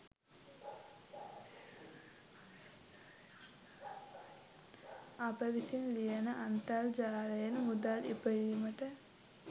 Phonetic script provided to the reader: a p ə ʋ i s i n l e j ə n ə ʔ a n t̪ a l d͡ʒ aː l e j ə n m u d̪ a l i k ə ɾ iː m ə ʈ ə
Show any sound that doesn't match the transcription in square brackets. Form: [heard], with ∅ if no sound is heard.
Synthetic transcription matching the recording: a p ə ʋ i s i n l [i] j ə n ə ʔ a n t̪ a l d͡ʒ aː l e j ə n m u d̪ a l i [p] ə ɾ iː m ə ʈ ə